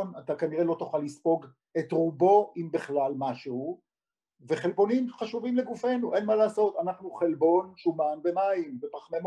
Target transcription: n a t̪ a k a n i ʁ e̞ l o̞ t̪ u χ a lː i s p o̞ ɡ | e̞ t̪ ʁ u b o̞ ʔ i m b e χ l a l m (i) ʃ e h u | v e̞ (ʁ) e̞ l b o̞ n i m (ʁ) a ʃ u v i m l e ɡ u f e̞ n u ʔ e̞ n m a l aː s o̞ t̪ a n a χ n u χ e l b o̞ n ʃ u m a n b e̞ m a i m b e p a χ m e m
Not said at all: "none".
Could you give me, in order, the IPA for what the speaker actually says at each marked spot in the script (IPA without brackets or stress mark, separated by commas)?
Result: a, χ, χ